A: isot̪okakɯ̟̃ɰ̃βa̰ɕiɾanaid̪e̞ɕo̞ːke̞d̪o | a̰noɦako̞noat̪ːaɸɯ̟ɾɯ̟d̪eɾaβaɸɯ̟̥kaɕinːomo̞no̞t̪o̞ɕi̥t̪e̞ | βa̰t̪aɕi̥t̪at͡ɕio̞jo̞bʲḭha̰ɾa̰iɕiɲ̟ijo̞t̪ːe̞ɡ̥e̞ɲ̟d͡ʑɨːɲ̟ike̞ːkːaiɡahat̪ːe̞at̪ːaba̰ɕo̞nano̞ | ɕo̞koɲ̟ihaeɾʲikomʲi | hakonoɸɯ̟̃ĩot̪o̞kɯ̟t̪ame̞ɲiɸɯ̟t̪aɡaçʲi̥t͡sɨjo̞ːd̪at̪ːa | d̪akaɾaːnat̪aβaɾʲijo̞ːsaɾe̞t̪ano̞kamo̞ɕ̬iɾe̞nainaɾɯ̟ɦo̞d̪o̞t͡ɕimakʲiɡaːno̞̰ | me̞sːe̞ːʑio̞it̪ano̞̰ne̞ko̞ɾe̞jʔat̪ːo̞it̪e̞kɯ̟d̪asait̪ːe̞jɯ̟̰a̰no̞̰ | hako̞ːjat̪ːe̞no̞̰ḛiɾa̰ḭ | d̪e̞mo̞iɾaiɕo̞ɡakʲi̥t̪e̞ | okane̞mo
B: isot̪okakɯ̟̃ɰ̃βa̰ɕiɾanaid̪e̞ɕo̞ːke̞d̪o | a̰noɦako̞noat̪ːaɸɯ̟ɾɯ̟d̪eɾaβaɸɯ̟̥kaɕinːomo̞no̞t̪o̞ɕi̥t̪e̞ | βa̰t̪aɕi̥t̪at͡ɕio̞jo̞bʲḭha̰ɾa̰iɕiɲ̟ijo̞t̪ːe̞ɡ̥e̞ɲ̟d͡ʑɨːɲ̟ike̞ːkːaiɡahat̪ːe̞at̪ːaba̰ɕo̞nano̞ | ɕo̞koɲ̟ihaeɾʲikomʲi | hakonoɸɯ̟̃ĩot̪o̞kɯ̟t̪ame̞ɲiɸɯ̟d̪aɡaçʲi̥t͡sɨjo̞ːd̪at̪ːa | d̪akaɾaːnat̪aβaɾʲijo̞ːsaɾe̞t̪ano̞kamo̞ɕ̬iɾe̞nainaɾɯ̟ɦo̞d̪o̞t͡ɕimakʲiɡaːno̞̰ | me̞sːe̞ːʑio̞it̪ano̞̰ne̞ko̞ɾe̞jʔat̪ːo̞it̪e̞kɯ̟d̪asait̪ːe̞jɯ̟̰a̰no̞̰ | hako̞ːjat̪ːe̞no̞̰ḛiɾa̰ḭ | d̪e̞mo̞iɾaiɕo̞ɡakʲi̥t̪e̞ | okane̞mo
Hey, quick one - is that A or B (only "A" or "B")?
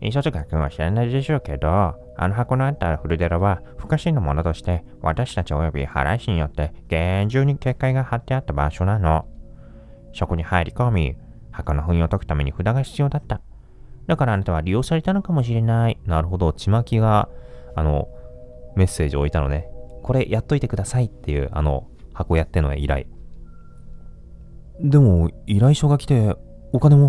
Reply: B